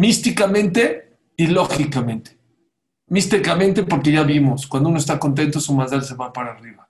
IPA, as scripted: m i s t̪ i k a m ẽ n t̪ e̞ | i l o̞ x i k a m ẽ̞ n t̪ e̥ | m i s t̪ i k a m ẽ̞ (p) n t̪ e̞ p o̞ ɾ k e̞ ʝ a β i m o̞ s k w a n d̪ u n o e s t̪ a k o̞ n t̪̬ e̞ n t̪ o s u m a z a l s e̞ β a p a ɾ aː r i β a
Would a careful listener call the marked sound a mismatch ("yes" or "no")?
yes